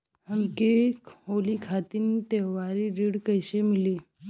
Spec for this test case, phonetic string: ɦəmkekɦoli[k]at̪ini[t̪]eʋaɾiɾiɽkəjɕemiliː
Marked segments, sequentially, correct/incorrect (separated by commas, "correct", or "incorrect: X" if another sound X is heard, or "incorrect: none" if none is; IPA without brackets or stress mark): incorrect: kʰ, correct